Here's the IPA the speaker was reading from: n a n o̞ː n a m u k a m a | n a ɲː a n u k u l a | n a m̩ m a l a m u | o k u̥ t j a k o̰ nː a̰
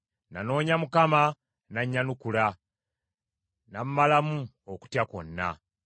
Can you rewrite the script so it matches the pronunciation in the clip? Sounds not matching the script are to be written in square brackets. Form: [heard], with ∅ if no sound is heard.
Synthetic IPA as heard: n a n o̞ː [ɲ] a m u k a m a | n a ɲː a n u k u l a | n a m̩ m a l a m u | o k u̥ t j a k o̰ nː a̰